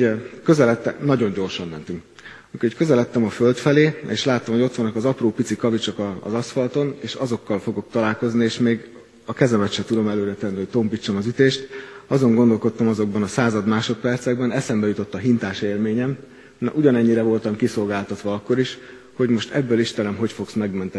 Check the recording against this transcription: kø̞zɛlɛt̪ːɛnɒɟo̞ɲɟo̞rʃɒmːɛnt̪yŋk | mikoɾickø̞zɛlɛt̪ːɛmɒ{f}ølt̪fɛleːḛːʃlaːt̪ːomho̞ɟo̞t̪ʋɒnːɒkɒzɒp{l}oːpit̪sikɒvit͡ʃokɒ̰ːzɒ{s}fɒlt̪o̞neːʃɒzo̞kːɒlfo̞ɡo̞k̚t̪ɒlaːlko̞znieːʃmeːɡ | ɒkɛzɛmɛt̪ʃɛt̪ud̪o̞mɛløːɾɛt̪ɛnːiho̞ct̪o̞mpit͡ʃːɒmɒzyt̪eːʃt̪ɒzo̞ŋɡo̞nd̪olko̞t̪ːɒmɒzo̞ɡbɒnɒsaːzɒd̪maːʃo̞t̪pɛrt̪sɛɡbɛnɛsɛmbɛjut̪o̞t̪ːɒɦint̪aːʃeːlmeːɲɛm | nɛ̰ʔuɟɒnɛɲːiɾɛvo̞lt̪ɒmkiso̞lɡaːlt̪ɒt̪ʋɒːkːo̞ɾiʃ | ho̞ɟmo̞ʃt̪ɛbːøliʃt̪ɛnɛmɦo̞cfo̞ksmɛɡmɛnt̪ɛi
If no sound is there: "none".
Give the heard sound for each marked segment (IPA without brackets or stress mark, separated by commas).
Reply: f, r, s